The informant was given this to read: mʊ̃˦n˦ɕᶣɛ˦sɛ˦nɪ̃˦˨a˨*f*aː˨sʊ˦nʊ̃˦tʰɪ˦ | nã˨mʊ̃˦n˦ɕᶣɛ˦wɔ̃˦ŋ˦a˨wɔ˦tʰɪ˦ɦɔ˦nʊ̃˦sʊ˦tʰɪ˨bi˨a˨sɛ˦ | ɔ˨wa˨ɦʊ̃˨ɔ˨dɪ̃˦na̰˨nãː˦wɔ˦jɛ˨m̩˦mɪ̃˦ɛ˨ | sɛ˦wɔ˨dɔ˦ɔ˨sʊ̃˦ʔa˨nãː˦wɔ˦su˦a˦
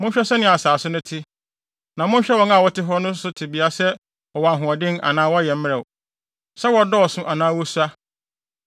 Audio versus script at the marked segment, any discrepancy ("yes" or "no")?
yes